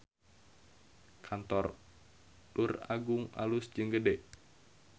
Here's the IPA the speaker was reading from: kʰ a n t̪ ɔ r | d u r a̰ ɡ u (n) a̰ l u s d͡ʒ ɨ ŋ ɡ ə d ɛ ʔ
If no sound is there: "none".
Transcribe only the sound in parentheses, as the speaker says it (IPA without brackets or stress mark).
ŋ